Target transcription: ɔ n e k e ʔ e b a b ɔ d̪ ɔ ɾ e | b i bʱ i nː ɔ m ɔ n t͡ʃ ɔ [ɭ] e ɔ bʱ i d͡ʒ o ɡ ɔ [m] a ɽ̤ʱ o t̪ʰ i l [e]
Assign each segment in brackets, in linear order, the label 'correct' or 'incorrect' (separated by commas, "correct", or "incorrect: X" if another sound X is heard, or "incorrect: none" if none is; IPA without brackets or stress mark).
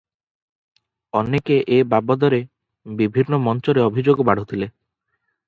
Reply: incorrect: ɾ, incorrect: b, correct